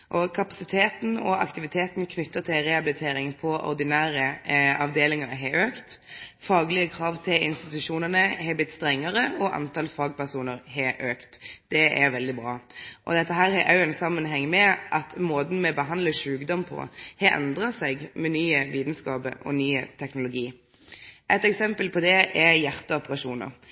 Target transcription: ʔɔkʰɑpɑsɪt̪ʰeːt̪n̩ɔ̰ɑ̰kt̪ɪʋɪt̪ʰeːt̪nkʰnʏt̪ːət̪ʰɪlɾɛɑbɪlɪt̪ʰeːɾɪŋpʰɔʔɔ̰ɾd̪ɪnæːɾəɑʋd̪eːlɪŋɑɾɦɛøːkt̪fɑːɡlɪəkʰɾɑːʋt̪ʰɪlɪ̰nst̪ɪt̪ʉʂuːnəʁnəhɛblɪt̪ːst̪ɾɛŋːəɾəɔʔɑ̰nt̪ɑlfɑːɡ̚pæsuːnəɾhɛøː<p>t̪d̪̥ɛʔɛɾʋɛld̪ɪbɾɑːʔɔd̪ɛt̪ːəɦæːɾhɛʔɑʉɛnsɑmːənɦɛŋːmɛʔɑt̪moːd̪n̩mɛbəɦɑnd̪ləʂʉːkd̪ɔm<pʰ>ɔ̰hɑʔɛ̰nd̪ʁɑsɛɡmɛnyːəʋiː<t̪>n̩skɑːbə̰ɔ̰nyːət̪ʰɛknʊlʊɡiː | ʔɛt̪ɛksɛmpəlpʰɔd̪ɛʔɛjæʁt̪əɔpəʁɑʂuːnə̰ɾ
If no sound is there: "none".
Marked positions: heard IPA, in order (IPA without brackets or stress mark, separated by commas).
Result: k, pʰ, d̪